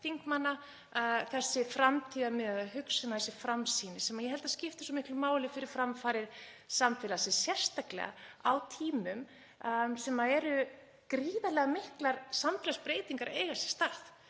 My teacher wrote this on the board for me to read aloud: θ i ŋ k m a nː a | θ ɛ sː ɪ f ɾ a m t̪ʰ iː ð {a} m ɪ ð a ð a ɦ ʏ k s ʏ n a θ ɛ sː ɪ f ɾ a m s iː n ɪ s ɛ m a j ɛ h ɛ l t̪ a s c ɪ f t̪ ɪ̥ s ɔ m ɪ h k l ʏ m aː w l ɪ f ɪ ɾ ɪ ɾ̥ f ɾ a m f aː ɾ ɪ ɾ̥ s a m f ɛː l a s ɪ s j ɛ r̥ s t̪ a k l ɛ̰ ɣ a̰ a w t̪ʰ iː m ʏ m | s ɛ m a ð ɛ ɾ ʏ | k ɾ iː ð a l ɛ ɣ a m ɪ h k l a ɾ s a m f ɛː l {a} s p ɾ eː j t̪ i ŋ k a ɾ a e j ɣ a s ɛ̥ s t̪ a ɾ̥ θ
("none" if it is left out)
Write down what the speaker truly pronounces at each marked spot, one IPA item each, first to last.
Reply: a, a

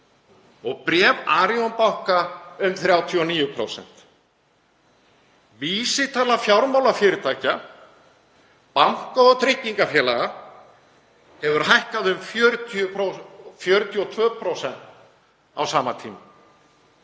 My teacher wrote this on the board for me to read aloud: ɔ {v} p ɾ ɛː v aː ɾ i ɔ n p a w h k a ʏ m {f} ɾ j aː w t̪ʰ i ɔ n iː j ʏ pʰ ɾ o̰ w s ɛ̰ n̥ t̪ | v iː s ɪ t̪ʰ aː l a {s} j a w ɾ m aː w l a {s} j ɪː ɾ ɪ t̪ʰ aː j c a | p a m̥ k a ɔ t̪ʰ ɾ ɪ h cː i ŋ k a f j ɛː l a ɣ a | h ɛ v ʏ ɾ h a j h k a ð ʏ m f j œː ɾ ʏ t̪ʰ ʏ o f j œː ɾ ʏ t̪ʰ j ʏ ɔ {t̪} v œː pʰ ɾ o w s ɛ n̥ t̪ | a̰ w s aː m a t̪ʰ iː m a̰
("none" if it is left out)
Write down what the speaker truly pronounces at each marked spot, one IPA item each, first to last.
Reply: ɣ, θ, f, f, t̪ʰ

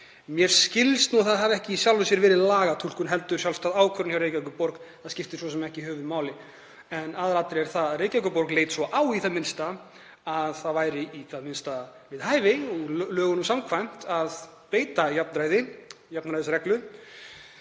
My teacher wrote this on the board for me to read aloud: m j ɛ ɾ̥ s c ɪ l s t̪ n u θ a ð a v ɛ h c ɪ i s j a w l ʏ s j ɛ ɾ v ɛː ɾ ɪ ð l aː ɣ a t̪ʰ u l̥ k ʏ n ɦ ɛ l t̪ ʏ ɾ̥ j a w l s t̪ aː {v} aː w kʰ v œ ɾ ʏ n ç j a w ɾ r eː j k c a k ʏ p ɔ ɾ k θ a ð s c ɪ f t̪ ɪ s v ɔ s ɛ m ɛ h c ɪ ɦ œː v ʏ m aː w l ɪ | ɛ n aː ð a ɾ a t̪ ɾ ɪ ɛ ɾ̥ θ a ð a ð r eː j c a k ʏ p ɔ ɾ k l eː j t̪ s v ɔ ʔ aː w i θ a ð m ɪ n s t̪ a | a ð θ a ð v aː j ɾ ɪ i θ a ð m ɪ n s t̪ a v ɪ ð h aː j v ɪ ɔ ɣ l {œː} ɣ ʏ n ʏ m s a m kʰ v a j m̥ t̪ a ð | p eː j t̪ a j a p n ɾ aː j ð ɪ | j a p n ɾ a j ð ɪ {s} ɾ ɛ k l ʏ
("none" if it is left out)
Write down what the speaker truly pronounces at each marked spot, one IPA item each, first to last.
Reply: ð, œː, s

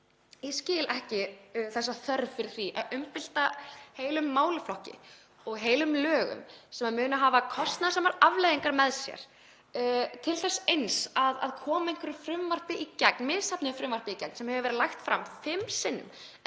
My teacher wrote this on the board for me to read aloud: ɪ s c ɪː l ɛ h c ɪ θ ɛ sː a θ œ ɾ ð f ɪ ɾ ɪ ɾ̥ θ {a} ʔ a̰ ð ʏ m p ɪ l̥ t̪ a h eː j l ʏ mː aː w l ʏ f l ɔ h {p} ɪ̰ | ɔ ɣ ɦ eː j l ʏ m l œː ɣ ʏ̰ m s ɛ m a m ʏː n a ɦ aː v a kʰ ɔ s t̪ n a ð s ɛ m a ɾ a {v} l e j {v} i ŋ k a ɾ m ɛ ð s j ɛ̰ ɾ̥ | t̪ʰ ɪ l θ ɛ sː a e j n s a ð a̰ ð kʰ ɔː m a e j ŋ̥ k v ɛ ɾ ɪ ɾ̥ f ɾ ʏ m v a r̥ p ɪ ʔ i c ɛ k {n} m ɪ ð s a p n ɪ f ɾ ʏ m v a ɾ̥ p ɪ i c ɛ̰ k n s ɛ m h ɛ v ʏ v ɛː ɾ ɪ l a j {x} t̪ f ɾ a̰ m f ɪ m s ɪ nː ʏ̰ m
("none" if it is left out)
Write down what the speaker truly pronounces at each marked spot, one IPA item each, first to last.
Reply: i, c, v, ð, n, x

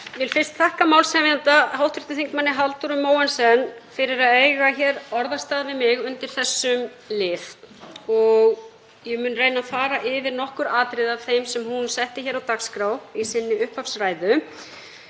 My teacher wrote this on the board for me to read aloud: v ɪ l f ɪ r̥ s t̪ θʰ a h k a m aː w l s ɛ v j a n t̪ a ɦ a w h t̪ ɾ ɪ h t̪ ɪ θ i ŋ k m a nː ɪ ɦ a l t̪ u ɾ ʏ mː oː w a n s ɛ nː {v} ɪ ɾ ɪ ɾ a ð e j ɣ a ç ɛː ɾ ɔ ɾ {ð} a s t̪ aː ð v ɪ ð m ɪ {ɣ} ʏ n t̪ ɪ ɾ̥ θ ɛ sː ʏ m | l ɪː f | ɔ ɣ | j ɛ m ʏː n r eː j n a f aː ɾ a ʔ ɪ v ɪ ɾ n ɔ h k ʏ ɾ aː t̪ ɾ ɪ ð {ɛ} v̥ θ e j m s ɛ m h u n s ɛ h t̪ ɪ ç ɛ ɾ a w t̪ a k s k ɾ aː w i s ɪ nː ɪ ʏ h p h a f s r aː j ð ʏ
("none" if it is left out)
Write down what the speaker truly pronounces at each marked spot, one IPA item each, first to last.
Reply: f, ð, ɣ, a

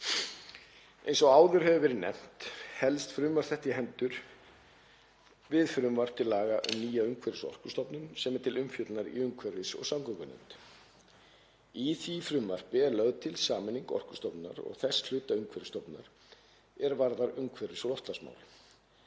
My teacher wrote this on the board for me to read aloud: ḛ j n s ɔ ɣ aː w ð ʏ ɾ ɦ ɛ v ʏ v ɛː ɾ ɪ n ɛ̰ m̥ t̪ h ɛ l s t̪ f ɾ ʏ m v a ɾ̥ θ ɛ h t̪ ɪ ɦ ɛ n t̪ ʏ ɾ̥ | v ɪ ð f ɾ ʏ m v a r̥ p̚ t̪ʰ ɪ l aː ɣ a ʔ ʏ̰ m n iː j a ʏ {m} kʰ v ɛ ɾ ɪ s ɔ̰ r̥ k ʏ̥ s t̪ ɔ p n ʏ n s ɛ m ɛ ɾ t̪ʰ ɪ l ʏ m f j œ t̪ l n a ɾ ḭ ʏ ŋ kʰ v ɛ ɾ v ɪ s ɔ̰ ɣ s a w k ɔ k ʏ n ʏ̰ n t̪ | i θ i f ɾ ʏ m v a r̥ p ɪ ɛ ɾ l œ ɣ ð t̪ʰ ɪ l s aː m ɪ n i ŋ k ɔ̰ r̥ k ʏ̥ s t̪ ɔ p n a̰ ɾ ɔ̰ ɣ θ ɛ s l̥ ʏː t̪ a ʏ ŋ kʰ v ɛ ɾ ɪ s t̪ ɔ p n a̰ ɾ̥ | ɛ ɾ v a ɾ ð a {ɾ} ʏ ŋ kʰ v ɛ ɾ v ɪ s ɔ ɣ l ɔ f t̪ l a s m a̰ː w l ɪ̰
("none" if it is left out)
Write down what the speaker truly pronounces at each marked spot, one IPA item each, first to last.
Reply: ŋ, ɾ

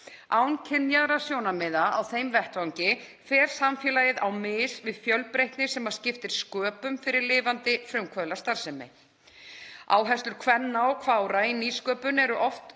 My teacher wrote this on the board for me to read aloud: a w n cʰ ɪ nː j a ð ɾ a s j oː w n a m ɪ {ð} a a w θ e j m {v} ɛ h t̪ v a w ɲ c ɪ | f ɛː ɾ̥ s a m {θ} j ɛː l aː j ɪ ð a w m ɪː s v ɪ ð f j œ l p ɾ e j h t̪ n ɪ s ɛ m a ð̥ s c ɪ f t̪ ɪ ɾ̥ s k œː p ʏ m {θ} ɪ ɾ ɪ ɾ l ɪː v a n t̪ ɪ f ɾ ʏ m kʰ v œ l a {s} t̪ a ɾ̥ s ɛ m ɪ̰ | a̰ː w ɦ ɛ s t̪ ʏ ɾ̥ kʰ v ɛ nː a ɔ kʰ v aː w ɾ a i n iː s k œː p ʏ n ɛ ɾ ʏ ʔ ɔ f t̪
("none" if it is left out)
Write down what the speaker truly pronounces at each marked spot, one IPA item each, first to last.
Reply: ð, v, f, f, s

